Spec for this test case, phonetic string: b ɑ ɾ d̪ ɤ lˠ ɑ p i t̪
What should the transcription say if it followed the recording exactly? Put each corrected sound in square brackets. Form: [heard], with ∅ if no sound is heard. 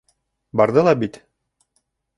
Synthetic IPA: b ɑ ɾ d̪ ɤ lˠ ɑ [b] i t̪

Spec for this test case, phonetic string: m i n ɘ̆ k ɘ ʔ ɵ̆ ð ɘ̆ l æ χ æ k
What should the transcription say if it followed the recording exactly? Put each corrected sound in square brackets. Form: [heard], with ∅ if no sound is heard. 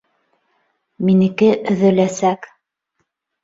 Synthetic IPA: m i n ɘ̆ k ɘ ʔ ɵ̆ ð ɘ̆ l æ [s] æ k

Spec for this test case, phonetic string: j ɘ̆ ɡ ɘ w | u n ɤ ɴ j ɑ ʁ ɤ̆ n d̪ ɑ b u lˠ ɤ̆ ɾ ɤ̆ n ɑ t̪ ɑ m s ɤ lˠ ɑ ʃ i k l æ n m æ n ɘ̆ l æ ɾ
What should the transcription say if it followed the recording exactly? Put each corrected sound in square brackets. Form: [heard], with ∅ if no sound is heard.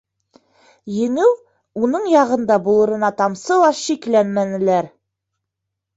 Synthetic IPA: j ɘ̆ [ŋ] ɘ w | u n ɤ ɴ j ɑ ʁ ɤ̆ n d̪ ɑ b u lˠ ɤ̆ ɾ ɤ̆ n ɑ t̪ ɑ m s ɤ lˠ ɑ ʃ i k l æ n m æ n ɘ̆ l æ ɾ

